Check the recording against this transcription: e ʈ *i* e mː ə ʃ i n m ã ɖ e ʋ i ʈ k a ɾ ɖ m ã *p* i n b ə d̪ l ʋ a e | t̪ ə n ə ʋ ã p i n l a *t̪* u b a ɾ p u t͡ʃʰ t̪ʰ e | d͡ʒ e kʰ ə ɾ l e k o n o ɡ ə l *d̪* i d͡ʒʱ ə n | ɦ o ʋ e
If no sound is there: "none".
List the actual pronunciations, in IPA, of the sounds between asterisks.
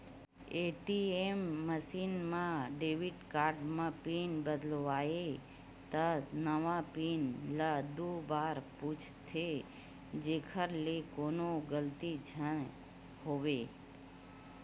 i, p, d̪, t̪

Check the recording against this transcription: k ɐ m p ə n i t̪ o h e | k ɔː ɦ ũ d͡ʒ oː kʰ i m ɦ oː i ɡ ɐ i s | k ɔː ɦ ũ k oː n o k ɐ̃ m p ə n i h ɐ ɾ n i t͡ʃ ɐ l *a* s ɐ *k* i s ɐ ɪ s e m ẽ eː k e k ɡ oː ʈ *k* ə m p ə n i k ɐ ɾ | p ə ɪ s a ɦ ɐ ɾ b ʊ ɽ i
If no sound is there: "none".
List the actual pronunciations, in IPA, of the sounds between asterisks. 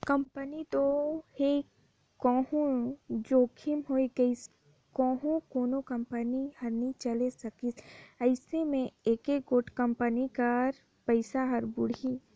e, k, k

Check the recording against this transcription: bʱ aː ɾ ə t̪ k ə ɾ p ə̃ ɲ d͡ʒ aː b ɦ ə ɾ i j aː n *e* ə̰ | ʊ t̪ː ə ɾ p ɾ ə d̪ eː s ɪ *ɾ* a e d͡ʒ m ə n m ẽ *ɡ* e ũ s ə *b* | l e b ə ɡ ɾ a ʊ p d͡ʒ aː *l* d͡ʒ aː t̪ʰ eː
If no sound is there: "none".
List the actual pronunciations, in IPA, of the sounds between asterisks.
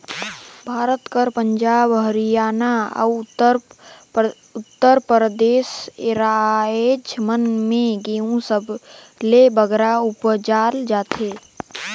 a, ɾ, ɡ, b, l

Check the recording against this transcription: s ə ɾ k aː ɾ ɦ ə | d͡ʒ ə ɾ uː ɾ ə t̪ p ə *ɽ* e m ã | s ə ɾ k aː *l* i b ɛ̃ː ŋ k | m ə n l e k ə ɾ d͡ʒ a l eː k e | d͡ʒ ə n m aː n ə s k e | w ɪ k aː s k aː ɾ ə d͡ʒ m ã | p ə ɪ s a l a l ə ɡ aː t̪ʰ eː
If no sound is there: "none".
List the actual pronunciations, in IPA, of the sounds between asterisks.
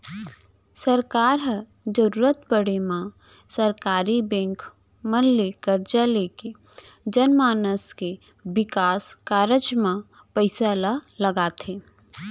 ɽ, ɾ

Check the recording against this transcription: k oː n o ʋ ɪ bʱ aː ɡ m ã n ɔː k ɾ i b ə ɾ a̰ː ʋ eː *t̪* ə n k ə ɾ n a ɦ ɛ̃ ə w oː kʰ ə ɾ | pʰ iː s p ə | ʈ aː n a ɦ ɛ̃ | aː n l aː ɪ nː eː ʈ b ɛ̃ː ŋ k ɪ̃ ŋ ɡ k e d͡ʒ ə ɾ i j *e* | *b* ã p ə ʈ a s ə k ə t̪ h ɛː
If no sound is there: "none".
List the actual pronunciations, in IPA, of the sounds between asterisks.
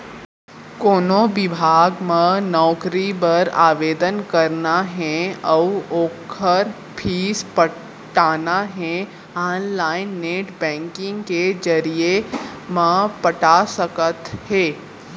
d̪, e, m

